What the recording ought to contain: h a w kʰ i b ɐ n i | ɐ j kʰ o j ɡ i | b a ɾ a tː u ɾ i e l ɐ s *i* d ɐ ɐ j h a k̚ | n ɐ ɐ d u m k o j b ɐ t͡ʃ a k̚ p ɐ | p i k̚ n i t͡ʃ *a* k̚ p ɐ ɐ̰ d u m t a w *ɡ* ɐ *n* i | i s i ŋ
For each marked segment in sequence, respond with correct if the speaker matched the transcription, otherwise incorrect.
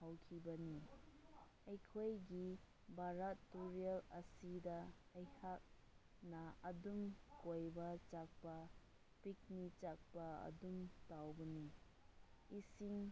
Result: correct, correct, incorrect, correct

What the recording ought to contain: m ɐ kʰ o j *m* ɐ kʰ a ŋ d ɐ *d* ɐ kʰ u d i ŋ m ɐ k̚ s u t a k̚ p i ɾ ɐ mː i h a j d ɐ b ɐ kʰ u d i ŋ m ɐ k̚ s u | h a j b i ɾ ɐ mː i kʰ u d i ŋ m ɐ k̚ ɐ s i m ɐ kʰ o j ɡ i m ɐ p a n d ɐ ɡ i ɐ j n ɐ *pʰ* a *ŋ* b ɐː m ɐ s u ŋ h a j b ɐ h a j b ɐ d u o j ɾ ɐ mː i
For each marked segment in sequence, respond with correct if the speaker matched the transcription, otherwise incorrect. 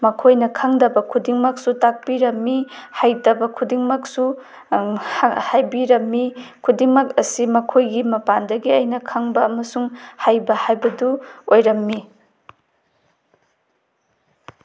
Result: incorrect, incorrect, incorrect, correct

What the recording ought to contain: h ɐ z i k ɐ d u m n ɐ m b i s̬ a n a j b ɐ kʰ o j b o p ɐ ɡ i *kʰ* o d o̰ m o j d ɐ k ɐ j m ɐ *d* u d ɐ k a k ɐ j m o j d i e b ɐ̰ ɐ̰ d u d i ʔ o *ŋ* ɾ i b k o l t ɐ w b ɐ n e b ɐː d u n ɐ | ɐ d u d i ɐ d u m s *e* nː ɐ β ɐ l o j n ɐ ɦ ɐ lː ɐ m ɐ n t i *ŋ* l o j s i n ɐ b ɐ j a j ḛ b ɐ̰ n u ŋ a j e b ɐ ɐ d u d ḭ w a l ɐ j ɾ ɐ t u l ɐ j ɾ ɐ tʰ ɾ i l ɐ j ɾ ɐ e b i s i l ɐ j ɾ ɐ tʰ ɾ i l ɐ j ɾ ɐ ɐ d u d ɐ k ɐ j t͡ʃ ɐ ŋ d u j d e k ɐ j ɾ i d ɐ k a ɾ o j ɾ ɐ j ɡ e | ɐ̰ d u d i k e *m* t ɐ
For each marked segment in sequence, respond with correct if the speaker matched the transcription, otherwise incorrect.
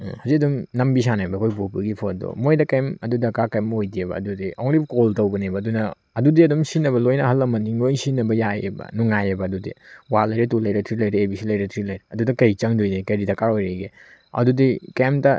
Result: incorrect, correct, correct, incorrect, correct, correct

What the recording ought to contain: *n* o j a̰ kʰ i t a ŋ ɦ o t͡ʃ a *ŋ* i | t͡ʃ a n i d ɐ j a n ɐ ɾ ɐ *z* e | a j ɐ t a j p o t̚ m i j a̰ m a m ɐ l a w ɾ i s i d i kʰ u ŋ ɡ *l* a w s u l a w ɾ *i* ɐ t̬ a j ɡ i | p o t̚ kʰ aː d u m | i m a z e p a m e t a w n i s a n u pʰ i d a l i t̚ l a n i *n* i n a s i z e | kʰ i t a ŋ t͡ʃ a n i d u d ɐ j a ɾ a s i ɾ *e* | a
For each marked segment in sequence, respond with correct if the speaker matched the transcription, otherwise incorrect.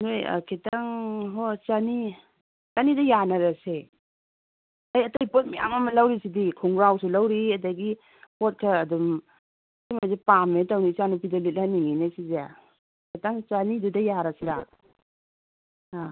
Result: correct, incorrect, incorrect, incorrect, correct, incorrect, incorrect

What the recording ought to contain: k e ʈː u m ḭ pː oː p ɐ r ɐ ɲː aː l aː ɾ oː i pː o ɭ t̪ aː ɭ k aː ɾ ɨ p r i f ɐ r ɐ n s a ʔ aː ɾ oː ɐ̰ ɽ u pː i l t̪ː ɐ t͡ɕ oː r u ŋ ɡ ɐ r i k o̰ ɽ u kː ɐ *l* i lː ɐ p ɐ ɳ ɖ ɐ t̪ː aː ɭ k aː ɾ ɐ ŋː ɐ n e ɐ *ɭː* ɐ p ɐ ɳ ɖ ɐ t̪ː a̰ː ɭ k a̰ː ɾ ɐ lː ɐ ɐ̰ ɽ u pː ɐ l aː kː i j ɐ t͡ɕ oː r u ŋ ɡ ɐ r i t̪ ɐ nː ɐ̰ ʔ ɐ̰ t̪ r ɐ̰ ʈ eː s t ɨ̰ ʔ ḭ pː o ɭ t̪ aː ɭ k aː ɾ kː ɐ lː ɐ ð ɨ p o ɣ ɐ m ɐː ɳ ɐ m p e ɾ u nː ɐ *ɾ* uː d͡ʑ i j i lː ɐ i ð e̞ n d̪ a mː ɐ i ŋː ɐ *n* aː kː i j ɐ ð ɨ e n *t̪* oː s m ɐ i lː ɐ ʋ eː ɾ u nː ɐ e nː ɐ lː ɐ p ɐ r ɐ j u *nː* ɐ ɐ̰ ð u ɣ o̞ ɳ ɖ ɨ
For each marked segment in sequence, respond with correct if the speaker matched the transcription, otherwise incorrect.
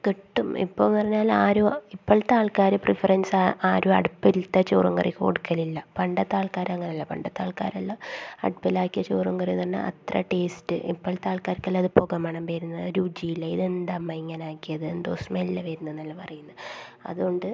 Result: correct, incorrect, correct, correct, incorrect, correct

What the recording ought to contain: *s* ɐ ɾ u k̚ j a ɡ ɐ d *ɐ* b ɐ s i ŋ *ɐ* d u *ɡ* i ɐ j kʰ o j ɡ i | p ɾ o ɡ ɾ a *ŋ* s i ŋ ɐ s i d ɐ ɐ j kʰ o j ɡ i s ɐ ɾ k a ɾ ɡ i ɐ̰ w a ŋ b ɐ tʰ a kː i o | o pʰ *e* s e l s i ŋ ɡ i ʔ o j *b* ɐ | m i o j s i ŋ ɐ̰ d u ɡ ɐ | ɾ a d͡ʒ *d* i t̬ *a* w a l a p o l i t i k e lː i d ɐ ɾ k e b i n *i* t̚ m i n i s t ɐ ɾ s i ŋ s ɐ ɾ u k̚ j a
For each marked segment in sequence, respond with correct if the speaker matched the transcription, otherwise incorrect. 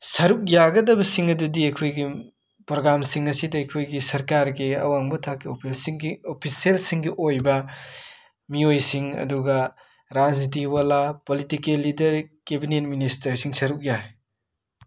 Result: correct, correct, correct, incorrect, incorrect, incorrect, correct, incorrect, incorrect, incorrect

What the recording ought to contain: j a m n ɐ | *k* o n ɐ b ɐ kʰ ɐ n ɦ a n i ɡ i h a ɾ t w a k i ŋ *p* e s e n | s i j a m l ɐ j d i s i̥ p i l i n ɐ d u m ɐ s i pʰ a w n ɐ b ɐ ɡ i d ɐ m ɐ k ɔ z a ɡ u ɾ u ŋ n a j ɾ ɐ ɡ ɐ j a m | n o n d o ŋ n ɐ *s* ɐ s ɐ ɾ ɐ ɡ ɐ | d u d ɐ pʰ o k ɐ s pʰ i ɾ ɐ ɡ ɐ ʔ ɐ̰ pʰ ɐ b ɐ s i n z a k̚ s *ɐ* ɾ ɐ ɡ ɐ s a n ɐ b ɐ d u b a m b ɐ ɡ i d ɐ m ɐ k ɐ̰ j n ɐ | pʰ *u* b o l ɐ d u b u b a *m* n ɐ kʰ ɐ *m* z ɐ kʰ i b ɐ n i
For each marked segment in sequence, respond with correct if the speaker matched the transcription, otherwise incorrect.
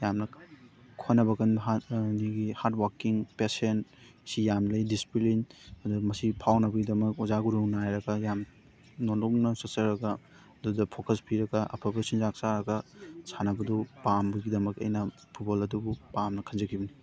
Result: incorrect, correct, correct, incorrect, correct, correct, incorrect

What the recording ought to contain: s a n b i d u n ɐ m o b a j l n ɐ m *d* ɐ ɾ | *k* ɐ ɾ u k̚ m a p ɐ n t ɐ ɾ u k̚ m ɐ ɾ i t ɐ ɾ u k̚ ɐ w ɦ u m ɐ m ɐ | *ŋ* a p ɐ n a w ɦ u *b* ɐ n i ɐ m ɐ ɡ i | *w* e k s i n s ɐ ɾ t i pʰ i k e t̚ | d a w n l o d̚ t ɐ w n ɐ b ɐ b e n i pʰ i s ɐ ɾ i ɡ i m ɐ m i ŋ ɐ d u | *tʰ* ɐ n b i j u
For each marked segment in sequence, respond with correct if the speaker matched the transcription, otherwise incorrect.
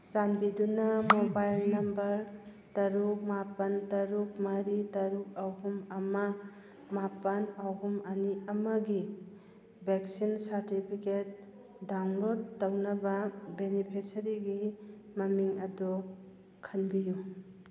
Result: incorrect, incorrect, incorrect, incorrect, incorrect, incorrect

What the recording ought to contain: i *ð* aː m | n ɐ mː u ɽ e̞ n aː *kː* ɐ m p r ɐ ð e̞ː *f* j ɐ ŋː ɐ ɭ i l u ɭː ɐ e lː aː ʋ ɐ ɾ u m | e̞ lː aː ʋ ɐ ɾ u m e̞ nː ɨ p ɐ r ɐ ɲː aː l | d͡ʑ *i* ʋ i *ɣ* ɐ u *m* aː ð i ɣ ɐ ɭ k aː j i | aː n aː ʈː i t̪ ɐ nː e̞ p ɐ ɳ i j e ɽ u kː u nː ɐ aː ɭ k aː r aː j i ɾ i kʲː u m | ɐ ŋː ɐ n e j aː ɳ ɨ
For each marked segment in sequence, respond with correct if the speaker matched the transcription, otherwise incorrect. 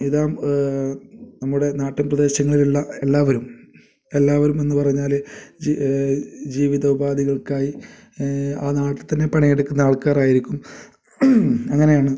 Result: correct, incorrect, incorrect, incorrect, incorrect, incorrect

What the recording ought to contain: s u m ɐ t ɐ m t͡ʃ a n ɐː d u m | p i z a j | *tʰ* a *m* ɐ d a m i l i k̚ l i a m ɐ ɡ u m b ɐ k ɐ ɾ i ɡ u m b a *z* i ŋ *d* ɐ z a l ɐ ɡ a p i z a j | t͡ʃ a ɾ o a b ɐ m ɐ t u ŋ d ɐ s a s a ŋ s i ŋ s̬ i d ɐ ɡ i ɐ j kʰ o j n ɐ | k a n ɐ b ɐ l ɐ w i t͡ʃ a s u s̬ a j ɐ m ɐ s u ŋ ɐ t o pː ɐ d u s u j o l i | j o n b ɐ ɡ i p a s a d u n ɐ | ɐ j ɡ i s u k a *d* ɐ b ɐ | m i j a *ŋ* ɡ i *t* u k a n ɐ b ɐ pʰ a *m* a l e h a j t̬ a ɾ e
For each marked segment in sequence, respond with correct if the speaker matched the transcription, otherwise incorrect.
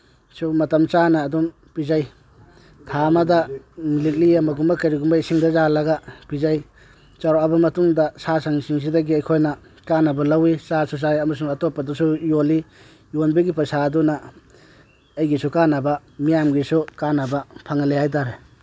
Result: correct, correct, incorrect, correct, incorrect, incorrect, incorrect, incorrect

